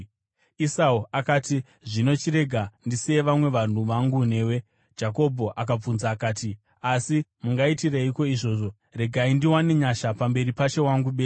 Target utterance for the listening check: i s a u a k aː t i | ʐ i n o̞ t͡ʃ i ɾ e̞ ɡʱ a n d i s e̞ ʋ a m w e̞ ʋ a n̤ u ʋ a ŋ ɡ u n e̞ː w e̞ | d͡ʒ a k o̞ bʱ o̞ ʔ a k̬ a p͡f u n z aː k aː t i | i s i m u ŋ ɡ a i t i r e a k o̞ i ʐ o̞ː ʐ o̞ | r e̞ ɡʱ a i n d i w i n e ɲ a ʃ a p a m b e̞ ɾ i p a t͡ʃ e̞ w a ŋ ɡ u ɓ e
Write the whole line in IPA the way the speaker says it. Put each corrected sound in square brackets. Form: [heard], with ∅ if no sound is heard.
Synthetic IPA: i s a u a k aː t i | ʐ i n o̞ t͡ʃ i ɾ e̞ ɡʱ a n d i s e̞ ʋ a m w e̞ ʋ a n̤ u ʋ a ŋ ɡ u n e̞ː w e̞ | d͡ʒ a k o̞ bʱ o̞ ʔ a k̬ a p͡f u n z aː k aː t i | [a] s i m u ŋ ɡ a i t i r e [i] k o̞ i ʐ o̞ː ʐ o̞ | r e̞ ɡʱ a i n d i w [a] n e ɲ a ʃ a p a m b e̞ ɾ i p a t͡ʃ e̞ w a ŋ ɡ u ɓ e

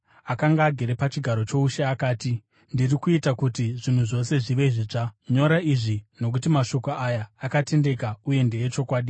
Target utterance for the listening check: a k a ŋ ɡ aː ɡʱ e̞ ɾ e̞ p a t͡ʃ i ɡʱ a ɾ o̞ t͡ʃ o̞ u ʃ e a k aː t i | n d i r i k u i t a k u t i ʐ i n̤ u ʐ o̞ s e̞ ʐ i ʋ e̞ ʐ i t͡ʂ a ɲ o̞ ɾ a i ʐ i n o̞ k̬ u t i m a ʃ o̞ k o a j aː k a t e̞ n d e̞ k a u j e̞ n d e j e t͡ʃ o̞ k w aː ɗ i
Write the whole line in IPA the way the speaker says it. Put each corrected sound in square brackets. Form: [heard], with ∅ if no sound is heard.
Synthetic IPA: a k a ŋ ɡ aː ɡʱ e̞ ɾ e̞ p a t͡ʃ i ɡʱ a ɾ o̞ t͡ʃ o̞ u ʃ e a k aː t i | n d i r i k u i t a k u t i ʐ i n̤ u ʐ o̞ s e̞ ʐ i ʋ e̞ ʐ i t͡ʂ a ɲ o̞ ɾ a i ʐ i n o̞ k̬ u t i m a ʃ o̞ k o a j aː k a t e̞ n d e̞ k a u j e̞ n d e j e t͡ʃ o̞ k w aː ɗ i

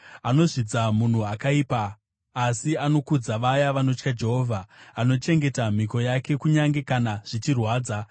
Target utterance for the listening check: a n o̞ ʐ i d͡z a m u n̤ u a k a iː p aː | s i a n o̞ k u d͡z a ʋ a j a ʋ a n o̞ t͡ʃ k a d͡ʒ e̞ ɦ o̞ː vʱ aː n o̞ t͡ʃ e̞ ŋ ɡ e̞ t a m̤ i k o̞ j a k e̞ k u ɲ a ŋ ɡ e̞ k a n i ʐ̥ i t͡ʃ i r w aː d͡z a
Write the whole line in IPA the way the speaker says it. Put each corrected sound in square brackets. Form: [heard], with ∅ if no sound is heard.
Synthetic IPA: a n o̞ ʐ i d͡z a m u n̤ u a k a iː p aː | s i a n o̞ k u d͡z a ʋ a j a ʋ a n o̞ t͡ʃ k a d͡ʒ e̞ ɦ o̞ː vʱ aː n o̞ t͡ʃ e̞ ŋ ɡ e̞ t a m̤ i k o̞ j a k e̞ k u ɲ a ŋ ɡ e̞ k a n [a] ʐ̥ i t͡ʃ i r w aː d͡z a

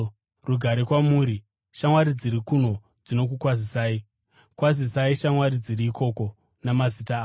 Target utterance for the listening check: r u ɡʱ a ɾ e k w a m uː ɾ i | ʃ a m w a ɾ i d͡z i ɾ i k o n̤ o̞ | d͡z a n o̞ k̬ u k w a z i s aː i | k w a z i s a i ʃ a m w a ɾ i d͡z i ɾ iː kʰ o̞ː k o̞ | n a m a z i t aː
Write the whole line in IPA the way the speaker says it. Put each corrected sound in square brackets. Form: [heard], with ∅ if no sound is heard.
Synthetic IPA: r u ɡʱ a ɾ e k w a m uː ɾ i | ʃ a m w a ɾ i d͡z i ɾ i k [u] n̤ o̞ | d͡z [i] n o̞ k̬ u k w a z i s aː i | k w a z i s a i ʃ a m w a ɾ i d͡z i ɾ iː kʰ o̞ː k o̞ | n a m a z i t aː

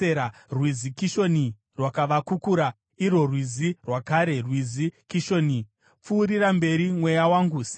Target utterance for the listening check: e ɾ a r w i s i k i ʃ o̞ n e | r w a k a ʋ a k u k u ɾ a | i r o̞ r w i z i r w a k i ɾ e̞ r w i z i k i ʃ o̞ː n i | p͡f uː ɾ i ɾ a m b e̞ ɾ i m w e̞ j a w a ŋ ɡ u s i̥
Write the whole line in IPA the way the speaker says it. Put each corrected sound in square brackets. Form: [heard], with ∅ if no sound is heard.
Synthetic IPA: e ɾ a r w i [z] i k i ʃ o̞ n [i] | r w a k a ʋ a k u k u ɾ a | i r o̞ r w i z i r w a k [a] ɾ e̞ r w i z i k i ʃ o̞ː n i | p͡f uː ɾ i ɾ a m b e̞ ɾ i m w e̞ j a w a ŋ ɡ u s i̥

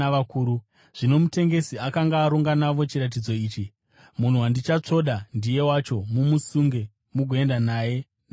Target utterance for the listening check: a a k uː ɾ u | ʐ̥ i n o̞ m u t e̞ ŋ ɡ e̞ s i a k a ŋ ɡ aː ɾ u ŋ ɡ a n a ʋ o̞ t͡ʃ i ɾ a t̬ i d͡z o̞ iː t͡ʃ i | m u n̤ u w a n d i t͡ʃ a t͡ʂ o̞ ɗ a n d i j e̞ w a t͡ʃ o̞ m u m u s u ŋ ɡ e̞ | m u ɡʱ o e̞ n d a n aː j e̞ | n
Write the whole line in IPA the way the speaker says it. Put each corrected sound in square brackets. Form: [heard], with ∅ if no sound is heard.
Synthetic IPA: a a k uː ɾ u | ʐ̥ i n o̞ m u t e̞ ŋ ɡ e̞ s i a k a ŋ ɡ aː ɾ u ŋ ɡ a n a ʋ o̞ t͡ʃ i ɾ a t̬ i d͡z o̞ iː t͡ʃ i | m u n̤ u w a n d i t͡ʃ a t͡ʂ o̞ ɗ a n d i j e̞ w a t͡ʃ o̞ m u m u s u ŋ ɡ e̞ | m u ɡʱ o e̞ n d a n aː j e̞ | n

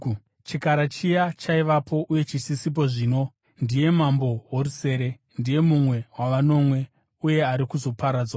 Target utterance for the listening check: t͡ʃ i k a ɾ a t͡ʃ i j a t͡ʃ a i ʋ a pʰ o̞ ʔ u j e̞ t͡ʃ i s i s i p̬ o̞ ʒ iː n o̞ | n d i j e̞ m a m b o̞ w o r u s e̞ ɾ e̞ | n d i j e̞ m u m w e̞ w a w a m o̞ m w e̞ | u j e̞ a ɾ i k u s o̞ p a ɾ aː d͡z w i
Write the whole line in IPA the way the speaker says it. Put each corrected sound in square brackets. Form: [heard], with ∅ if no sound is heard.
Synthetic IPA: t͡ʃ i k a ɾ a t͡ʃ i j a t͡ʃ a i ʋ a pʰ o̞ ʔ u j e̞ t͡ʃ i s i s i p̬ o̞ [ʐ] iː n o̞ | n d i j e̞ m a m b o̞ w o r u s e̞ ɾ e̞ | n d i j e̞ m u m w e̞ w a [ʋ] a [n] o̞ m w e̞ | u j e̞ a ɾ i k u [z] o̞ p a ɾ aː d͡z w [a]

